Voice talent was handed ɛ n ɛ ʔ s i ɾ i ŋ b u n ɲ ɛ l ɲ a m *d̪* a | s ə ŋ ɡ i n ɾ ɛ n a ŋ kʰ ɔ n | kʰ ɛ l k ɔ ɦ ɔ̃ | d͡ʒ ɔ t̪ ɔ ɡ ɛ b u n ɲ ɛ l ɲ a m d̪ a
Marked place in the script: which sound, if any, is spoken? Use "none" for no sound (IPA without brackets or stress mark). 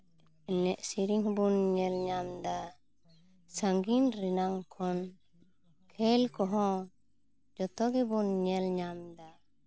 d̪